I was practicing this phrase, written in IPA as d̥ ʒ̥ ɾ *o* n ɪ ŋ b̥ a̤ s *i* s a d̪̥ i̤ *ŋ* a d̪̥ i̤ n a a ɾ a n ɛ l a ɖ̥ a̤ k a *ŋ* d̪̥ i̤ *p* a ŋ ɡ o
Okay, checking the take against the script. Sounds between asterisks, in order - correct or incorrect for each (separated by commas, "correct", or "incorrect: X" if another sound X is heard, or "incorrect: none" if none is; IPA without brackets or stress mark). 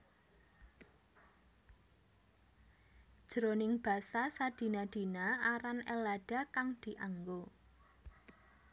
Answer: correct, incorrect: a, incorrect: n, correct, incorrect: ʔ